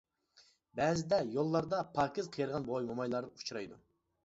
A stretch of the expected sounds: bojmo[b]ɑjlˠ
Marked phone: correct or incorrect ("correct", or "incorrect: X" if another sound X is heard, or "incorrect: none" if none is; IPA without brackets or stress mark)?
incorrect: m